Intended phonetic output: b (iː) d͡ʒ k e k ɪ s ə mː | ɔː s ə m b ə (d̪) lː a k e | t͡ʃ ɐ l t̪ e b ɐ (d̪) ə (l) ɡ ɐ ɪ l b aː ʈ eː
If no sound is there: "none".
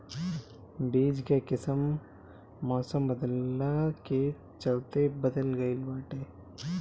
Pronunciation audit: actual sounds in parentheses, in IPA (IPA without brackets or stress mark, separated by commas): iː, d̪, d̪, l